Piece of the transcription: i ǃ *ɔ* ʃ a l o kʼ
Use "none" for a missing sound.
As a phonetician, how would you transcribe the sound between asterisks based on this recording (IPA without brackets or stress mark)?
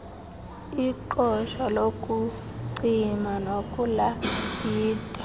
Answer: ɔ